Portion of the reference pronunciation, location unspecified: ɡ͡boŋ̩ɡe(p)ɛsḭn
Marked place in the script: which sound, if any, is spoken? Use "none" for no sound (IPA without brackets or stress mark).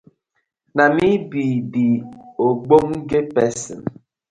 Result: p